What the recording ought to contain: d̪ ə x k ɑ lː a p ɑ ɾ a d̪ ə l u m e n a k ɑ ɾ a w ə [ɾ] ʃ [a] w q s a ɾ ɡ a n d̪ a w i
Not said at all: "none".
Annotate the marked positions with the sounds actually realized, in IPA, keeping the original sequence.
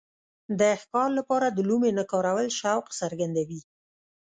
l, a

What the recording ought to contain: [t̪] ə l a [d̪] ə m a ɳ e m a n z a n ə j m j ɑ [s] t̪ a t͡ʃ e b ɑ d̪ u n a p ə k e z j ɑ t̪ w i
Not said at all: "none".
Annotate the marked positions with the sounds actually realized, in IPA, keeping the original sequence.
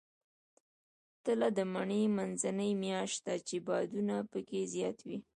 t̪, d̪, ʃ

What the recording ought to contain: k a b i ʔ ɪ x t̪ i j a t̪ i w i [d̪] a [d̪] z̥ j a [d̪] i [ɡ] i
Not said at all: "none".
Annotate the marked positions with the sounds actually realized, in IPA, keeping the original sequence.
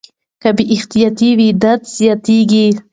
d̪, t̪, t̪, ɡ

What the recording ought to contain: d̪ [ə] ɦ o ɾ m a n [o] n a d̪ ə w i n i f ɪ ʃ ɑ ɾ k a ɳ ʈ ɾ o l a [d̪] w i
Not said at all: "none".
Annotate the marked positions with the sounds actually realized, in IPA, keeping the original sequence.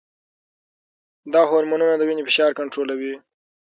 ɑ, u, none

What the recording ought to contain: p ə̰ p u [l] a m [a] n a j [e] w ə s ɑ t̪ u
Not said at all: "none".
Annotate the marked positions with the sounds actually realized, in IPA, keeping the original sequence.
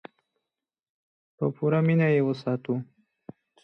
ɾ, i, e

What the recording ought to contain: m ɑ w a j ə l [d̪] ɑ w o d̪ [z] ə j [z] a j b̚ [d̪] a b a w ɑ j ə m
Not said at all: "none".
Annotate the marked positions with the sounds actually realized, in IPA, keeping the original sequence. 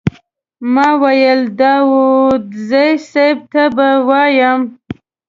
d̪, z, s, t̪

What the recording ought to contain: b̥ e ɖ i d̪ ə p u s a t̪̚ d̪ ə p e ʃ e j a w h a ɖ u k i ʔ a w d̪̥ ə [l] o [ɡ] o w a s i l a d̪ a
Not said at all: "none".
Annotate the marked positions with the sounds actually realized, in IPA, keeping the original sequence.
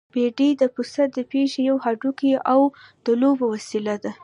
l, b

